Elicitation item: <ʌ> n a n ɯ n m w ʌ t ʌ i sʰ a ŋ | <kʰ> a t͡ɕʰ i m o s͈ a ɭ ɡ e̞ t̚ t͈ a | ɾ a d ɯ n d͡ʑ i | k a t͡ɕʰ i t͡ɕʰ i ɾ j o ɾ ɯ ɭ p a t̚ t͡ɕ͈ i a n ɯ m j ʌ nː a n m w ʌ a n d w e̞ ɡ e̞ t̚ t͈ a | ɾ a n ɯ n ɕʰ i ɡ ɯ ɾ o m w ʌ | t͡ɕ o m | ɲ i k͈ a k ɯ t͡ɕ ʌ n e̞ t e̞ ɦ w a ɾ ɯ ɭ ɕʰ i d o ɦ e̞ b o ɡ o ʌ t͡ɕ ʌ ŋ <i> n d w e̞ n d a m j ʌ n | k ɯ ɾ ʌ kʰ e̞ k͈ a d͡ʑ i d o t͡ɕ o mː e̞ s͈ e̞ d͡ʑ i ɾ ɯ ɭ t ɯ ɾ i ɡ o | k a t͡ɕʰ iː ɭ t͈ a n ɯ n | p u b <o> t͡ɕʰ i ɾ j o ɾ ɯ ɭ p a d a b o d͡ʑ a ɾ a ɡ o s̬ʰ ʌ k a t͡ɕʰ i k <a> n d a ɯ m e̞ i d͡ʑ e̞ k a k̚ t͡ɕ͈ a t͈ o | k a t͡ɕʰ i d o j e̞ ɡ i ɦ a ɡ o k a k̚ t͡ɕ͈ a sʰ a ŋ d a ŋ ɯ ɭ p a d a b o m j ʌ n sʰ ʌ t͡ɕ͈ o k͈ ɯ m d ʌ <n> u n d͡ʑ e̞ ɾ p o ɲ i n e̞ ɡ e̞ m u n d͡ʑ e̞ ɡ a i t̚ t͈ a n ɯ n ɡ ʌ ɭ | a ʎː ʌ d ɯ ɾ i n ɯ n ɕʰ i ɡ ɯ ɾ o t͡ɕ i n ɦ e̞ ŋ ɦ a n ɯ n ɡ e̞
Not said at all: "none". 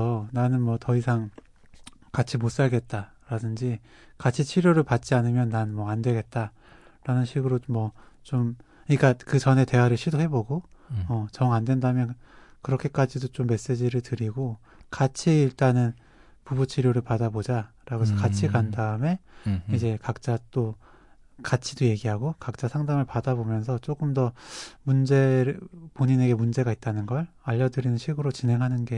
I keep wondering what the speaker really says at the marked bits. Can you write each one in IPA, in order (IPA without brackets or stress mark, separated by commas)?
ʌ, k, a, u, a, m